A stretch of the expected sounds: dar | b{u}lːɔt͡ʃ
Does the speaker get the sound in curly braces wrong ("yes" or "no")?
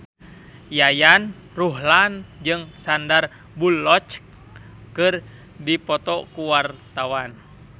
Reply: no